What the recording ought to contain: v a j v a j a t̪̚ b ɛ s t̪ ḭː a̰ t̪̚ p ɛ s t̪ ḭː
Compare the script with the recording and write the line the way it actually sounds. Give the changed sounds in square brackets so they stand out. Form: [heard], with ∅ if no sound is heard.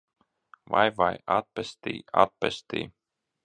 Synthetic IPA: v a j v a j a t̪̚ [p] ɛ s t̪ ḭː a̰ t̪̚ p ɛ s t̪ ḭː